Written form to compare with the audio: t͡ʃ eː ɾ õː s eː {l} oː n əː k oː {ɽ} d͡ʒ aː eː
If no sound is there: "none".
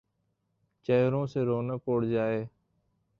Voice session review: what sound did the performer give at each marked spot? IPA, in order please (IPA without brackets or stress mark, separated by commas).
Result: ɾ, ɽ